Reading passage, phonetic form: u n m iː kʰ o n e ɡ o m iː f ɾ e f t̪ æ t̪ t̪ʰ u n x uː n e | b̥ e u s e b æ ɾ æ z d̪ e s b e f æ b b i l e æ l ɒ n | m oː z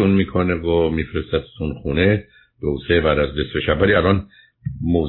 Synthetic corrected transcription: u n m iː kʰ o n e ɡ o m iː f ɾ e s t̪ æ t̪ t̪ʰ u n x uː n e | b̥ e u s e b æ ɾ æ z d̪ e s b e ʃ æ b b æ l i æ l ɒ n | m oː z